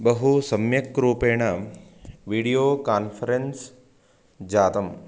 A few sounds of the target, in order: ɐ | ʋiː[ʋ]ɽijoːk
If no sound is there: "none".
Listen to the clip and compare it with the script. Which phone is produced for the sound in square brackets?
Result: none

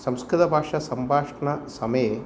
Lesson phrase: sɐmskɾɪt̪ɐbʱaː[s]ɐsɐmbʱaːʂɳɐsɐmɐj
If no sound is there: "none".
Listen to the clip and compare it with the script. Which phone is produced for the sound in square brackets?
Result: ʂ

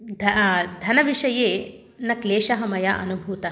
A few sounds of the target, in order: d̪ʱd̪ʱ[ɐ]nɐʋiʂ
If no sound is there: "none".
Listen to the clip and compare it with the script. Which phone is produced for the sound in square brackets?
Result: ɐ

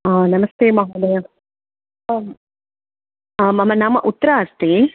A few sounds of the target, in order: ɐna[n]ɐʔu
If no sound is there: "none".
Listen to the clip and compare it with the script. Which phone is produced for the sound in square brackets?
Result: m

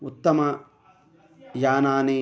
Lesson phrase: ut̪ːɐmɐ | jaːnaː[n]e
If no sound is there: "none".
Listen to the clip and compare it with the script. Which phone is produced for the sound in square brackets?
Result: n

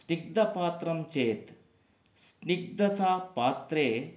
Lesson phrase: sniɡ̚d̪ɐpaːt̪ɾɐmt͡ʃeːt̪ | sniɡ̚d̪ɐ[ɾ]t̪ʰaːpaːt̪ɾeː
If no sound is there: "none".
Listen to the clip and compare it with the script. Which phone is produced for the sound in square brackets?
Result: none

